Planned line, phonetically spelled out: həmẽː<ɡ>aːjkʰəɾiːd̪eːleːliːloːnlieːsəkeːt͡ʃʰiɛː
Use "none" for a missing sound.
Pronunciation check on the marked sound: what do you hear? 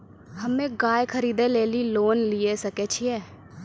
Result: ɡ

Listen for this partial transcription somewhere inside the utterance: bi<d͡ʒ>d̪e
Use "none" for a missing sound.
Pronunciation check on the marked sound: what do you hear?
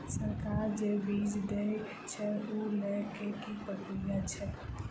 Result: d͡ʒ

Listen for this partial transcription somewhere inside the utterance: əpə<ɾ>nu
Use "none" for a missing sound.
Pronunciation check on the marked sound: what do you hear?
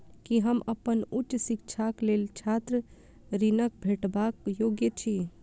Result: none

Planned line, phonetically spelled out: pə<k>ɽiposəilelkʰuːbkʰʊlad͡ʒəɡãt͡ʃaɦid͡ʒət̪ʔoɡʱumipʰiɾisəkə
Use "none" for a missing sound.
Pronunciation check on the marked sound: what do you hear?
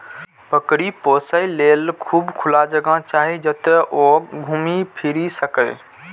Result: k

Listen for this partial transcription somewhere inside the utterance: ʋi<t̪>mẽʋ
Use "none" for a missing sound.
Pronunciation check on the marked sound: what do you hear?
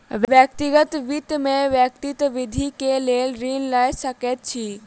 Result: t̪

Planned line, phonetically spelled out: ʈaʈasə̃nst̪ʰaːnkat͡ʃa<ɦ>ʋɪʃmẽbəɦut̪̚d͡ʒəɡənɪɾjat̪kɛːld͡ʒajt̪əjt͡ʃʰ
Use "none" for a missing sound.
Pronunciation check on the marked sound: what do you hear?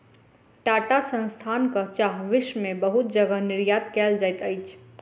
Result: ɦ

